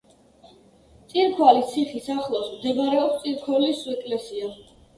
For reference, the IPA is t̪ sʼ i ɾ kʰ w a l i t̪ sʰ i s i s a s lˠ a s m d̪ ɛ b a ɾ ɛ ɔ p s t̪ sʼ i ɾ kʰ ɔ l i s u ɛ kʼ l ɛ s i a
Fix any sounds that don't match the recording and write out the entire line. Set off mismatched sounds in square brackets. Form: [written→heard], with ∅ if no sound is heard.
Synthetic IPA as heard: t̪ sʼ i ɾ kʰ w a l i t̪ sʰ i [s→χ] i s a [s→χ] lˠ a s m d̪ ɛ b a ɾ ɛ ɔ p s t̪ sʼ i ɾ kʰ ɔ l i s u ɛ kʼ l ɛ s i a